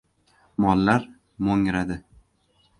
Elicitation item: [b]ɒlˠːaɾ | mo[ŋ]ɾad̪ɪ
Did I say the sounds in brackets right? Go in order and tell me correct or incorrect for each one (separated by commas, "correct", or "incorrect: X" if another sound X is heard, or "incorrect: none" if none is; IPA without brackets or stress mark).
incorrect: m, correct